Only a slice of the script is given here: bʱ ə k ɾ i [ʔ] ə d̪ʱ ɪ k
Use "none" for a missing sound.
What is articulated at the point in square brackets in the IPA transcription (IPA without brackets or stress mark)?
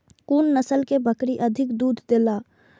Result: ʔ